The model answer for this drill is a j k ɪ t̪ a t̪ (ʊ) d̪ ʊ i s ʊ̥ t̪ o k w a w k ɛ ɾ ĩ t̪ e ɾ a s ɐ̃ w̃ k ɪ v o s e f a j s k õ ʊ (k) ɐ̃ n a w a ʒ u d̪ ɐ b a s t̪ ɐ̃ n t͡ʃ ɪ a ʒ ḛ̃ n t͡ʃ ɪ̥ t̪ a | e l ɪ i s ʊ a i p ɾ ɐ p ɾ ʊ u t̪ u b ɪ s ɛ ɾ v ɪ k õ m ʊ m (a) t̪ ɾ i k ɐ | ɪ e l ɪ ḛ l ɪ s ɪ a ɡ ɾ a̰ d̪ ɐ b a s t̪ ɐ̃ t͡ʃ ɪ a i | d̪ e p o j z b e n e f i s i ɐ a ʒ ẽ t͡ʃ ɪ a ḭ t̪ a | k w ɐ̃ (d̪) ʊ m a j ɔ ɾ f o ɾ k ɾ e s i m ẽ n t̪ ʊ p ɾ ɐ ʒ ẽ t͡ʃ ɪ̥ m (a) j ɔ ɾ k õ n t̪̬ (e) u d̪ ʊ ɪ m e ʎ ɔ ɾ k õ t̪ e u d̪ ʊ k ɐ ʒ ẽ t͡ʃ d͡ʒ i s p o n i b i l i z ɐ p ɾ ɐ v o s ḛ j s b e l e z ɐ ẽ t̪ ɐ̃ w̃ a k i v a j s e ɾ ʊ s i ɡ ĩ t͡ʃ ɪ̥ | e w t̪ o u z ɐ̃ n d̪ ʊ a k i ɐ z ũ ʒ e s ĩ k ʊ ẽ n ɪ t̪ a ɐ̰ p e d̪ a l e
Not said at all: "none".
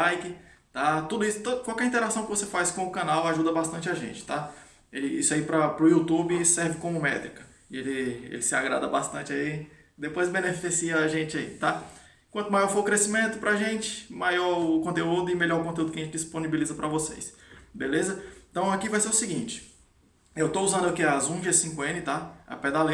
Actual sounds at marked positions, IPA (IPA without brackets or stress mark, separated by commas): u, k, ɛ, t̪, a, e